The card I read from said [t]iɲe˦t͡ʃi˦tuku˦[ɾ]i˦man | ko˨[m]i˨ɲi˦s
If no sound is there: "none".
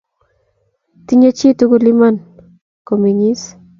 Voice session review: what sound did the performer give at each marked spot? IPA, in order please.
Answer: t, l, m

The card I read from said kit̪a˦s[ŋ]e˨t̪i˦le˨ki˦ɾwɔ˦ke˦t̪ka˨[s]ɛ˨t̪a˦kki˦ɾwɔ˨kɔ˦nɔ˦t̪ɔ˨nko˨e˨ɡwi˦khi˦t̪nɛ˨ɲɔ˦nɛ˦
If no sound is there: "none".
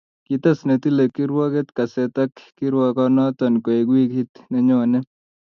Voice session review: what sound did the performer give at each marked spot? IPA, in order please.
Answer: n, s

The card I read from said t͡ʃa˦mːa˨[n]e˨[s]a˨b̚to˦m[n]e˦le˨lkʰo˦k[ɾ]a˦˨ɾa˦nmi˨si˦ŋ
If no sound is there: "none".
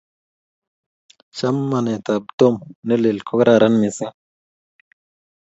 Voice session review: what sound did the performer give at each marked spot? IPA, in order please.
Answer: n, t, n, ɾ

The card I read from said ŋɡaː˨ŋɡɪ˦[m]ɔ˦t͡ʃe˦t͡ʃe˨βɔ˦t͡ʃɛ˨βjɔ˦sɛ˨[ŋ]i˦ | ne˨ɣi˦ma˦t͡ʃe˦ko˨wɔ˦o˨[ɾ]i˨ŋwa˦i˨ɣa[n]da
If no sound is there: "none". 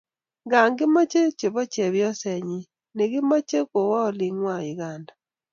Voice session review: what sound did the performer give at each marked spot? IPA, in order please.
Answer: m, ɲ, l, n

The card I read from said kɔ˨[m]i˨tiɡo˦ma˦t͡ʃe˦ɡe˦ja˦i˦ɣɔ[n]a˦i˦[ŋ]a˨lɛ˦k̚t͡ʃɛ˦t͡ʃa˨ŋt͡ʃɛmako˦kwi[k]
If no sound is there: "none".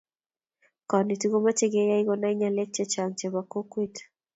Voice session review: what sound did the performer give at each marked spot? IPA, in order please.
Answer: n, n, ɲ, t

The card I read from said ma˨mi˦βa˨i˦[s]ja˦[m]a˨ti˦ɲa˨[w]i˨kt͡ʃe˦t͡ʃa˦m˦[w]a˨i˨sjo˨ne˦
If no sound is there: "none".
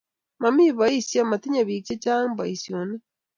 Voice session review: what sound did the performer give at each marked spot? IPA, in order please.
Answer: s, m, β, b

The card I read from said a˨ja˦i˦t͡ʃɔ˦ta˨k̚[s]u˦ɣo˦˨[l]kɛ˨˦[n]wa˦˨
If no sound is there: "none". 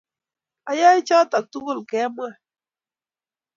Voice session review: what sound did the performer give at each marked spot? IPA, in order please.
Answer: t, l, m

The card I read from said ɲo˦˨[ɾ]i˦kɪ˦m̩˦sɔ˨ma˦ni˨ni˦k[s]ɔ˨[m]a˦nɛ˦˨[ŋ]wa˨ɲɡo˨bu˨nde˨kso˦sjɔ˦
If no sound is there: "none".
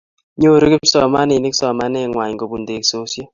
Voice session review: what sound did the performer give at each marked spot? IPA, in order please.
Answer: ɾ, s, m, ŋ

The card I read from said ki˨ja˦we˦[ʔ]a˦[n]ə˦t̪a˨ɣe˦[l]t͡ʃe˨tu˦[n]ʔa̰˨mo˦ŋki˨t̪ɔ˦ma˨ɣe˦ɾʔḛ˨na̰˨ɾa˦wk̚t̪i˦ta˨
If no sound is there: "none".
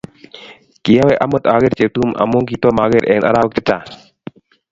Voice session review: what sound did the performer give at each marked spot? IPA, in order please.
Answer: ʔ, m, ɾ, m

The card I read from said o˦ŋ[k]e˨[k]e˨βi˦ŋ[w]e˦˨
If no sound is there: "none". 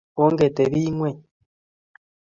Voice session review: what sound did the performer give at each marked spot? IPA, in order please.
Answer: ɡ, t, w

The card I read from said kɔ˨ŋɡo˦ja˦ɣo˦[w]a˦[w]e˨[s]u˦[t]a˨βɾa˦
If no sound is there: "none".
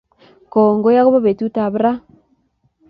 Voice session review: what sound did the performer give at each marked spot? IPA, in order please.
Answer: β, β, t, t

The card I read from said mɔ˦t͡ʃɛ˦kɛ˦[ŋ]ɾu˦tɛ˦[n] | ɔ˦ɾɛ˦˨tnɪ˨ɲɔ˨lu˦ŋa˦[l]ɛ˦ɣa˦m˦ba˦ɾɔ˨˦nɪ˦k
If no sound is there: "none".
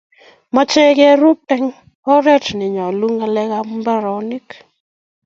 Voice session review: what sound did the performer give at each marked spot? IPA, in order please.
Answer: none, ŋ, l

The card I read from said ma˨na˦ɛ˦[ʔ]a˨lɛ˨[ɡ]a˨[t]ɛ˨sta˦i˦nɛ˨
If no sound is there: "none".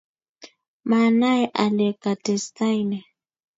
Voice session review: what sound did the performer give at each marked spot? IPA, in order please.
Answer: ʔ, k, t

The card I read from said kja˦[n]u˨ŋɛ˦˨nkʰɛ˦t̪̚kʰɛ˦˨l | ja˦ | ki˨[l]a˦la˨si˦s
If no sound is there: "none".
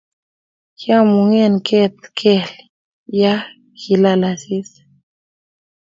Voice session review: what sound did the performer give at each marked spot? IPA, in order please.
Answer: m, l

